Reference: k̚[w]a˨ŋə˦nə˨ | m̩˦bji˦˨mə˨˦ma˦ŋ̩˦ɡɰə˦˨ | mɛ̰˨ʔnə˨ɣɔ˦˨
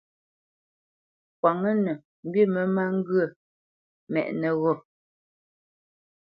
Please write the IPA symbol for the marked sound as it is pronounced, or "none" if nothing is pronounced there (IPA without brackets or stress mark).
w